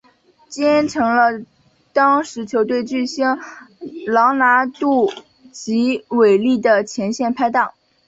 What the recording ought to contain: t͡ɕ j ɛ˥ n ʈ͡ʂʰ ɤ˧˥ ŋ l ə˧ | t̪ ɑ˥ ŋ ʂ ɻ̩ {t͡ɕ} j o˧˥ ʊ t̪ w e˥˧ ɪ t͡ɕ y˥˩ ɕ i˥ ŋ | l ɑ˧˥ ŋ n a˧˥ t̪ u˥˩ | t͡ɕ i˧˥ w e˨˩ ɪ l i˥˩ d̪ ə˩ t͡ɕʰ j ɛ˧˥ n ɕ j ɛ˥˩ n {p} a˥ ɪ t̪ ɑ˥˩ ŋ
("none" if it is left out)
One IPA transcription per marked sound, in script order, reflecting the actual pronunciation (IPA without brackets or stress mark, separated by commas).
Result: t͡ɕʰ, pʰ